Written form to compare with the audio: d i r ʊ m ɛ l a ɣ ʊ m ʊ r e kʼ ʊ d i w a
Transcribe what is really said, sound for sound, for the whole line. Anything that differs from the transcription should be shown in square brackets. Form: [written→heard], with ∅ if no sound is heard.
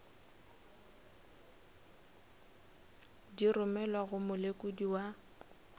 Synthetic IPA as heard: d i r ʊ m ɛ l a ɣ ʊ m ʊ [r→l] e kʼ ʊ d i w a